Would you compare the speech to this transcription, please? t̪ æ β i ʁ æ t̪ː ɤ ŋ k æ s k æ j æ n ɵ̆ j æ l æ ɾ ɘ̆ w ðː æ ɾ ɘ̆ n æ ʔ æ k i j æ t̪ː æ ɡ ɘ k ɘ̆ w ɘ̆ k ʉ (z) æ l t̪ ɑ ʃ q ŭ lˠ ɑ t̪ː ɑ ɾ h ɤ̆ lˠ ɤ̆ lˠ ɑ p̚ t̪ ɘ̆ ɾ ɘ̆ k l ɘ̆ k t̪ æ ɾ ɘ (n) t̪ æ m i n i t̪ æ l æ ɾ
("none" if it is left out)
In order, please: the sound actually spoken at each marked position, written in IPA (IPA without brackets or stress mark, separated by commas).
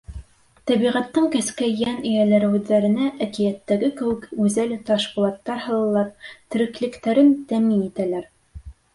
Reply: z, n